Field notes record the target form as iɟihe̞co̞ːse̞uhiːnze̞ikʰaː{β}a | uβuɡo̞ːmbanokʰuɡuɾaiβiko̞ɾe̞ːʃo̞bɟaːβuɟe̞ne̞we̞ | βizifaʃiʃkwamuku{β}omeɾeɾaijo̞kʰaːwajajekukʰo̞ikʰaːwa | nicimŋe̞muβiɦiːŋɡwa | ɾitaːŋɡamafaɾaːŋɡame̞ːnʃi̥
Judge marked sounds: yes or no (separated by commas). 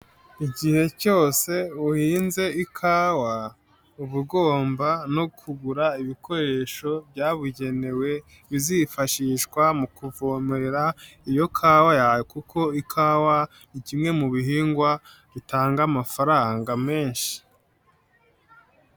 no, no